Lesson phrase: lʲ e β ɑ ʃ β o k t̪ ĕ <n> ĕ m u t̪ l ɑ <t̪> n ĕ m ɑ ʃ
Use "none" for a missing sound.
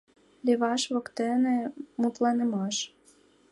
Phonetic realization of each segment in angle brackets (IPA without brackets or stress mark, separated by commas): n, none